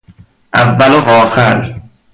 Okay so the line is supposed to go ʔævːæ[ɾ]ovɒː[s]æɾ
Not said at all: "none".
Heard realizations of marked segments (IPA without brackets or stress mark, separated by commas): l, x